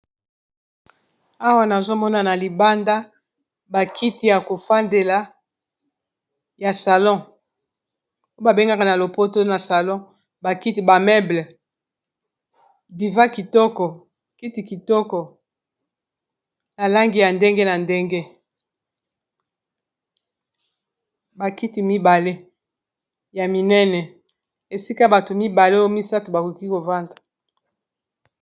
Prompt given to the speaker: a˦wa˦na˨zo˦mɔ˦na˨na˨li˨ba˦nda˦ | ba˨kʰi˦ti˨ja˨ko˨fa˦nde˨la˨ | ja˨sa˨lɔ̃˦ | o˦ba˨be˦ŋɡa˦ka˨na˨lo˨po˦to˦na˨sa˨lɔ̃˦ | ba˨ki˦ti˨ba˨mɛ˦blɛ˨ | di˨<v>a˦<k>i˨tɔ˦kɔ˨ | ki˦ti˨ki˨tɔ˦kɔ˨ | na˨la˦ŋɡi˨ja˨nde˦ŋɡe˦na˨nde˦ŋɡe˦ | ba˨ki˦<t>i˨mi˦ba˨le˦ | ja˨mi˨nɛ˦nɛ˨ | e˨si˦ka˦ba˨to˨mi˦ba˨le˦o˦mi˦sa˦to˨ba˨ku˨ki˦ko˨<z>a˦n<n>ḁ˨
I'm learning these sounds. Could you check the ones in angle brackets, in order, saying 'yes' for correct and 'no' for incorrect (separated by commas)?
yes, yes, yes, no, no